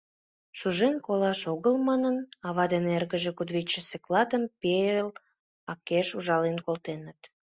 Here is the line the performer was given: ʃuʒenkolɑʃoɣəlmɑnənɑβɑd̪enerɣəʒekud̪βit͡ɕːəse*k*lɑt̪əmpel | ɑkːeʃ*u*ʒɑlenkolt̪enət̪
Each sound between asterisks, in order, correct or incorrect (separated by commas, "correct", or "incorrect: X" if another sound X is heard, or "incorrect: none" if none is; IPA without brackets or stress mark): correct, correct